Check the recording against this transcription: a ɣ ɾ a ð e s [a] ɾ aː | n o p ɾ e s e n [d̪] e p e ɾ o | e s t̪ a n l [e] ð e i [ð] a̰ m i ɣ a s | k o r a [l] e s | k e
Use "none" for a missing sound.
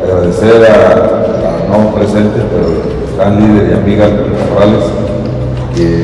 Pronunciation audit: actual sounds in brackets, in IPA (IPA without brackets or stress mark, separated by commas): e, t̪, i, none, l